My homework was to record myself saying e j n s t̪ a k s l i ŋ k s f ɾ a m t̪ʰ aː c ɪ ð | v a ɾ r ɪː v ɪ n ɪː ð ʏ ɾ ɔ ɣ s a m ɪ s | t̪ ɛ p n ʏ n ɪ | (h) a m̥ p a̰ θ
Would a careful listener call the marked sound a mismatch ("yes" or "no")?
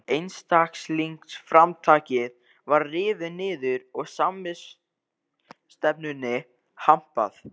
no